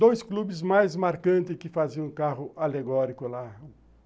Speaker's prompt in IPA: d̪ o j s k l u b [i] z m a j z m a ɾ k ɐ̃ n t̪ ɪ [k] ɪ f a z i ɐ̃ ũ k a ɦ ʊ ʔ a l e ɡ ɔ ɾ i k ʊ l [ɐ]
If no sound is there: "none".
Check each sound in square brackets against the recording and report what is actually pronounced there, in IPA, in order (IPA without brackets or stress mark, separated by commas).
ɪ, k, a